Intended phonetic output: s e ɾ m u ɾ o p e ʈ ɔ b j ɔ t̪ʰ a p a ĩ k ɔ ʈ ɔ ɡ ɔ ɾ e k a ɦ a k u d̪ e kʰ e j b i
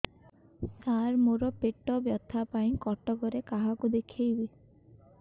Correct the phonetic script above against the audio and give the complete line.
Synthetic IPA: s a ɾ m o ɾ ɔ p e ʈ ɔ b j ɔ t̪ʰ a p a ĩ k ɔ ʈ ɔ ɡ ɔ ɾ e k a ɦ a k u d̪ e kʰ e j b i

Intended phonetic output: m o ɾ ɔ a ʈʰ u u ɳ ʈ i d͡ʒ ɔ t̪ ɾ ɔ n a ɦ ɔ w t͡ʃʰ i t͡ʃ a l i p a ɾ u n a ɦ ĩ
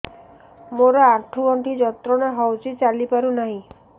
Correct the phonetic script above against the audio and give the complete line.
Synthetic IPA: m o ɾ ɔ a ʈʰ u ɔ ɳ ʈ i d͡ʒ ɔ t̪ ɾ ɔ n a ɦ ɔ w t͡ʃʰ i t͡ʃ a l i p a ɾ u n a ɦ ĩ

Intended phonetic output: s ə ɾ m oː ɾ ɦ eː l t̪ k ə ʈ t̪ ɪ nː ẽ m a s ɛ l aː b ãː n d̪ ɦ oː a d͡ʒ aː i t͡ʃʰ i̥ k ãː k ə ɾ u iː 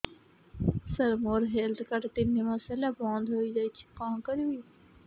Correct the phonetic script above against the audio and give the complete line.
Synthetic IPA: s ə ɾ m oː ɾ ɦ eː l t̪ k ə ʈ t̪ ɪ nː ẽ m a s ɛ l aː b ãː n d̪ ɦ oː i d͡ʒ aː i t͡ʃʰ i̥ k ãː k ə ɾ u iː

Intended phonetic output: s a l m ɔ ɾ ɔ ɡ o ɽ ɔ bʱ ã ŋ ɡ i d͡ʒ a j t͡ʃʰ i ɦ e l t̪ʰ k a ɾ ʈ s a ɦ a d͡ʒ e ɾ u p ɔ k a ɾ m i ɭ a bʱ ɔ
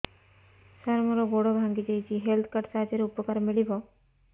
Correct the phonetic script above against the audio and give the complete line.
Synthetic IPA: s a ɾ m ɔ ɾ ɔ ɡ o ɽ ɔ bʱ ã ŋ ɡ i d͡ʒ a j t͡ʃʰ i ɦ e l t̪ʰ k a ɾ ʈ s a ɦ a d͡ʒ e ɾ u p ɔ k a ɾ m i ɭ i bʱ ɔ

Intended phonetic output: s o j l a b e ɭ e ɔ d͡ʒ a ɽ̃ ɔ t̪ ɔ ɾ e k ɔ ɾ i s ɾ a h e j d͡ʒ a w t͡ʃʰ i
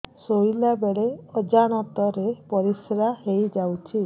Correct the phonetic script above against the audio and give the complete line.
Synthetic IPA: s o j l a b e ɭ e ɔ d͡ʒ a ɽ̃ ɔ t̪ ɔ ɾ e p ɔ ɾ i s ɾ a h e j d͡ʒ a w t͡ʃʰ i

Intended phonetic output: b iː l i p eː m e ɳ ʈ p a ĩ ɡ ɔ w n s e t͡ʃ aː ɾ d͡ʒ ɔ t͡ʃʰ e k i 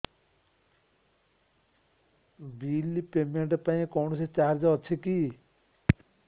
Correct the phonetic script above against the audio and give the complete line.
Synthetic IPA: b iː l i p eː m e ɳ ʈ p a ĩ k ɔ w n s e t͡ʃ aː ɾ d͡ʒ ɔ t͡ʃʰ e k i

